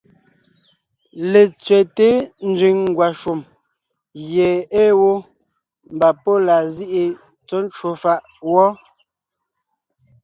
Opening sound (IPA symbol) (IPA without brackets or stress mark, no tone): l